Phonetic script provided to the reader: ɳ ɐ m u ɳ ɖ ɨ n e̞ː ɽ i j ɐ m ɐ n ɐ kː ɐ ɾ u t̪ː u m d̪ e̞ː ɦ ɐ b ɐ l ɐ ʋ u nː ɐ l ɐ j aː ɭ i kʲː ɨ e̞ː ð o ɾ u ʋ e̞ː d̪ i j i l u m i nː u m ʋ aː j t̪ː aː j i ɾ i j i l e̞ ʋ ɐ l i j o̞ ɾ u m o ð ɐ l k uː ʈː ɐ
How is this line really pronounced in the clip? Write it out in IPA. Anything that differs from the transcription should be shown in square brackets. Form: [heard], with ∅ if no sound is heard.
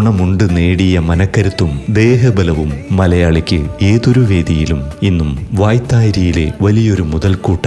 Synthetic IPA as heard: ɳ ɐ m u ɳ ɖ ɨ n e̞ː ɽ i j ɐ m ɐ n ɐ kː ɐ ɾ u t̪ː u m d̪ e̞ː ɦ ɐ b ɐ l ɐ ʋ u [mː] ɐ l ɐ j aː ɭ i kʲː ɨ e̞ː ð o ɾ u ʋ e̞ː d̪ i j i l u m i nː u m ʋ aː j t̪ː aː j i ɾ i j i l e̞ ʋ ɐ l i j o̞ ɾ u m [u] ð ɐ l k uː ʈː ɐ